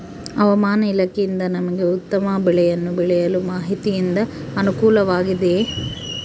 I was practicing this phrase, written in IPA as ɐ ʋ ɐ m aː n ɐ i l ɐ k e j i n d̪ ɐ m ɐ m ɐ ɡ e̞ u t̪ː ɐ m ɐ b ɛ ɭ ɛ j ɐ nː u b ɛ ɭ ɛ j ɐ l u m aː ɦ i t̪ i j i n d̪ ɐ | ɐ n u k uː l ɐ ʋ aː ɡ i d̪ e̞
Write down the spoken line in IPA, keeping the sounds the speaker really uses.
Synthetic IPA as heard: ɐ ʋ ɐ m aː n ɐ i l ɐ k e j i n d̪ ɐ n ɐ m ɐ ɡ e̞ u t̪ː ɐ m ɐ b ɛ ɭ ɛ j ɐ nː u b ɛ ɭ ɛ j ɐ l u m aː ɦ i t̪ i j i n d̪ ɐ | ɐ n u k uː l ɐ ʋ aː ɡ i d̪ e̞